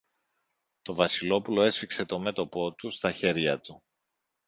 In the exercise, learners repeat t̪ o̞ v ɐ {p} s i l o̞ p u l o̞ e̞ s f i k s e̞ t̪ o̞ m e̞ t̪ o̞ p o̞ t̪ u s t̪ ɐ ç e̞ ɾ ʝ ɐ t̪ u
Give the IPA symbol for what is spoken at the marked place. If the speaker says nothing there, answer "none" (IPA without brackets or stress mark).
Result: none